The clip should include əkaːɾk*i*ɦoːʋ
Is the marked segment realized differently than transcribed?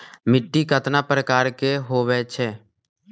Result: yes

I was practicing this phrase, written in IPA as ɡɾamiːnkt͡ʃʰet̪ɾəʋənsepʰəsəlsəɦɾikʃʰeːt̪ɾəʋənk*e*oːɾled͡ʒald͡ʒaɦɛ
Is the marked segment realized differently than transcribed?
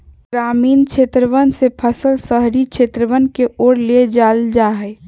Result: no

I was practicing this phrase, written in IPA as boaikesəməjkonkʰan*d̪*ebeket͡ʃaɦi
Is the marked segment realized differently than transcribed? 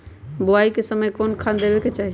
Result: no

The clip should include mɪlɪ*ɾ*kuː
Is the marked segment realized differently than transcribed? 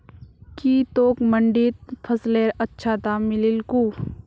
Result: yes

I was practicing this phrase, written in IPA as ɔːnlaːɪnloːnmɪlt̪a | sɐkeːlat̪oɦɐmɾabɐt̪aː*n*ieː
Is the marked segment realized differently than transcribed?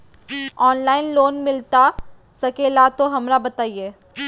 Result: yes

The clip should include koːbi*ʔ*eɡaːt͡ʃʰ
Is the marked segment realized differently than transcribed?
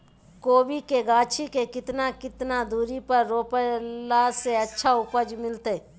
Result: yes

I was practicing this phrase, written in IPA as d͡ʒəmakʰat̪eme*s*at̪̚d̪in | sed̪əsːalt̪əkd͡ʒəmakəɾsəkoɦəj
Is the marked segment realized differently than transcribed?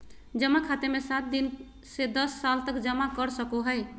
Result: no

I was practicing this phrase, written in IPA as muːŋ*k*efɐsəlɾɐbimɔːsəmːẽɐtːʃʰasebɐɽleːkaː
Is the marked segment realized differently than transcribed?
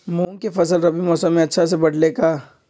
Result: no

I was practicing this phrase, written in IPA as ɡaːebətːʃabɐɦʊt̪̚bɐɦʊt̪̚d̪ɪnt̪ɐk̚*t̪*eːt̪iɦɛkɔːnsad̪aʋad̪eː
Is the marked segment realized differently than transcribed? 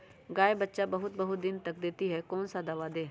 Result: yes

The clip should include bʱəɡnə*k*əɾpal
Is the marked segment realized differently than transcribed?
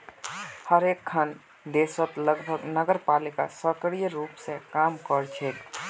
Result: yes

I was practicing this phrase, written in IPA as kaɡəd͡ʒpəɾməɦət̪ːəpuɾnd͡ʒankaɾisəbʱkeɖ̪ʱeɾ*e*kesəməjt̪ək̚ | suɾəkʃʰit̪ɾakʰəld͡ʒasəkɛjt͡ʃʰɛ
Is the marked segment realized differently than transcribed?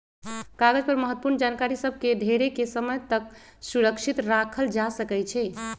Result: no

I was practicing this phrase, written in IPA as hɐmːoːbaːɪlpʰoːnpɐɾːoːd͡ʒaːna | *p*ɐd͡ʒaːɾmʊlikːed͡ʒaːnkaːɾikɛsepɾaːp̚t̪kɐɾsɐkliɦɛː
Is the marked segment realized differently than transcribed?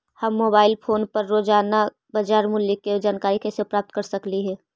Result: yes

